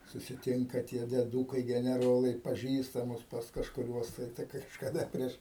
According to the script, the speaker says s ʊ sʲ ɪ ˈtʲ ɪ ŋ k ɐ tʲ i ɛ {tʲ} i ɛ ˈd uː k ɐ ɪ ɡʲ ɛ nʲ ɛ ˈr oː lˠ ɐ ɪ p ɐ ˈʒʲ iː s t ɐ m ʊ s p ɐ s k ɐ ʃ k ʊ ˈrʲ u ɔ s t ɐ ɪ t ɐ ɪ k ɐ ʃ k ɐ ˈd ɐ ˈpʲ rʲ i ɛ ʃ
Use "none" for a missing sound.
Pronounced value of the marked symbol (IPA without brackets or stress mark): dʲ